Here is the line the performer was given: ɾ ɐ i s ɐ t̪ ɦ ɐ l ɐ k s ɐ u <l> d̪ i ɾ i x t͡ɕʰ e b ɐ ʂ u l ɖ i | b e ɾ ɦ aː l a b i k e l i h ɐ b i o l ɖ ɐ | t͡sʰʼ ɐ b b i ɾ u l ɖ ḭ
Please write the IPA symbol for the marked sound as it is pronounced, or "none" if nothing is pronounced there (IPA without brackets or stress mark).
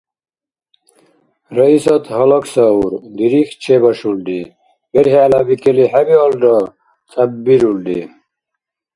ɾ